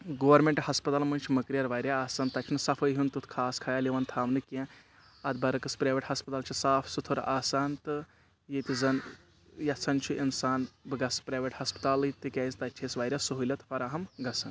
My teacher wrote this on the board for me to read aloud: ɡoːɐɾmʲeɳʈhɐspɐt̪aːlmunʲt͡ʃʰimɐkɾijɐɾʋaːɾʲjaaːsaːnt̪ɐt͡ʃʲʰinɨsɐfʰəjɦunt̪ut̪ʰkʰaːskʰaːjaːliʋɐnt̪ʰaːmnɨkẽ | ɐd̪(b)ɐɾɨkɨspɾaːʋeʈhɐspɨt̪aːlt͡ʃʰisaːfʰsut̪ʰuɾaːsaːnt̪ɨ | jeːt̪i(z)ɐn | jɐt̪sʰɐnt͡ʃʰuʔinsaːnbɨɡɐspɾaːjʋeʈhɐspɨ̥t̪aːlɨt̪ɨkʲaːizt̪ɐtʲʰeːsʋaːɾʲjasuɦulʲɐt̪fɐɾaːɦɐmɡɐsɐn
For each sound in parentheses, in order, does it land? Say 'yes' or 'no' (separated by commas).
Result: yes, yes